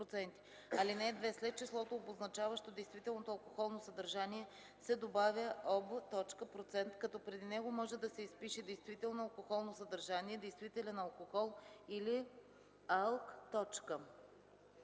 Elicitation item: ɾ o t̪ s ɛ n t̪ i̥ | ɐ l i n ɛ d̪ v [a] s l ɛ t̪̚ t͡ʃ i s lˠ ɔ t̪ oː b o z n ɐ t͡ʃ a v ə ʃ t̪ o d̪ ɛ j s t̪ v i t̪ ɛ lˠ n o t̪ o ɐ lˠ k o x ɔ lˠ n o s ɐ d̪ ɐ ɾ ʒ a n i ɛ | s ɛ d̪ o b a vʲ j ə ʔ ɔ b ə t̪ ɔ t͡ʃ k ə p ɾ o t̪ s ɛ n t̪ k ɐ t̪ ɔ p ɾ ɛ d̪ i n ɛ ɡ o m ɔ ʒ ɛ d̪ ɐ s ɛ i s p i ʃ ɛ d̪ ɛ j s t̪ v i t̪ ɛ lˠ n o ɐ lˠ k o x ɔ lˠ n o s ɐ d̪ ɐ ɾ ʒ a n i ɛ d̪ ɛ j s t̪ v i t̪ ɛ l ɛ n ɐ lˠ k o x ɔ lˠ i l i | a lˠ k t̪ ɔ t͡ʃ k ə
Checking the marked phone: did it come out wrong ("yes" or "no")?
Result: yes